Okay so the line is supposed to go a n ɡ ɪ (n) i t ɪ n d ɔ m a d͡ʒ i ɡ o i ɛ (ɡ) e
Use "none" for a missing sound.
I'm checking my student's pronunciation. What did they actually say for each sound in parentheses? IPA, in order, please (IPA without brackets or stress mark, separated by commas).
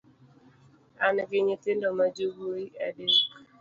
ɲ, d